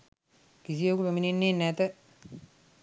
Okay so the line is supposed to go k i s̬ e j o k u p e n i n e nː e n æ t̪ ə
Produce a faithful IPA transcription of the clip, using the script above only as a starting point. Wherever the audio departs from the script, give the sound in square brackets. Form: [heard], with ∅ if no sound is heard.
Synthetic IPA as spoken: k i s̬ [i] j o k u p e [m] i n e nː e n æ t̪ ə

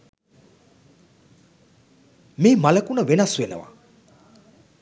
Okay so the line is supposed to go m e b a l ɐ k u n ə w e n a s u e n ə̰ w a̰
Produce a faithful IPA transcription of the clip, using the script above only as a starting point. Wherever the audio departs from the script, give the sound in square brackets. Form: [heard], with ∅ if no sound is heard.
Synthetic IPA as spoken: m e [m] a l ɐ k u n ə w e n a s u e n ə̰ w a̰

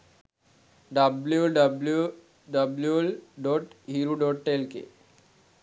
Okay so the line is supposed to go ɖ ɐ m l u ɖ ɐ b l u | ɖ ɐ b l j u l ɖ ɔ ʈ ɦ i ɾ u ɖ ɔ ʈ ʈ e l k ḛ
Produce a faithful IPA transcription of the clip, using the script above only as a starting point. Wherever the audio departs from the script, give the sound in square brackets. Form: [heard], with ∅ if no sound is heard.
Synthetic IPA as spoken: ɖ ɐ [b] l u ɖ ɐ b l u | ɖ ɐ b l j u l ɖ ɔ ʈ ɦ i ɾ u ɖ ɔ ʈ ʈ e l k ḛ

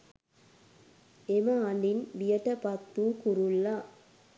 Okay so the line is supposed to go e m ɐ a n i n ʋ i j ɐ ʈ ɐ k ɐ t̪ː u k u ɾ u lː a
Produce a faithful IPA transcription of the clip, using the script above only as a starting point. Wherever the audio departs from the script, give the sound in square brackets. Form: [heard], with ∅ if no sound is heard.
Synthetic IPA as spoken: e m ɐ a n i n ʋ i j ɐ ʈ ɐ [p] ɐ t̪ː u k u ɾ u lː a

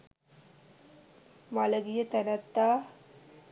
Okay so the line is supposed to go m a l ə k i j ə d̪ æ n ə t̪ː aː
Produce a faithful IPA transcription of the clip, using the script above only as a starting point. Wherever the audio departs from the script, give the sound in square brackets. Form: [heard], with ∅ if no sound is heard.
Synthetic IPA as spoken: m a l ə [ɡ] i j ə [t̪] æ n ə t̪ː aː

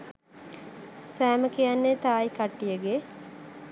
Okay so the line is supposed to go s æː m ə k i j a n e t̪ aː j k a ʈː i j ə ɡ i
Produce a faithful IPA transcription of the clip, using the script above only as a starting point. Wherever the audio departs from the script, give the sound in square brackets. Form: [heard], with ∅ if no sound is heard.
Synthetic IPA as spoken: s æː m ə k i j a [nː] e t̪ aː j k a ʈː i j ə ɡ [e]

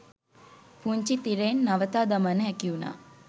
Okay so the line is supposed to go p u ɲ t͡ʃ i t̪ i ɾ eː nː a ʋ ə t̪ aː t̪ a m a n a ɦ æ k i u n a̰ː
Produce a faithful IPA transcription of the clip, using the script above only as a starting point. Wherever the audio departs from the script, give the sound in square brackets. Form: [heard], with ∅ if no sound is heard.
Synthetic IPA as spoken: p u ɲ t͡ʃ i t̪ i ɾ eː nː a ʋ ə t̪ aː [d̪] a m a n [ə] ɦ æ k i u n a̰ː

